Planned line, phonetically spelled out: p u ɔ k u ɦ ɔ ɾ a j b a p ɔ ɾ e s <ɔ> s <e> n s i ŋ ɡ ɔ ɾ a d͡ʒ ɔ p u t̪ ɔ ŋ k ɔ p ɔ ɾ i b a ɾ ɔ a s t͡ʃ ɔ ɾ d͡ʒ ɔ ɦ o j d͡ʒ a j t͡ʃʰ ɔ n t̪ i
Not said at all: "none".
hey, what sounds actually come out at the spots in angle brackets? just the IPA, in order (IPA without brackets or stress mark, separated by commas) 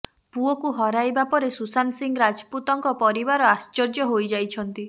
u, a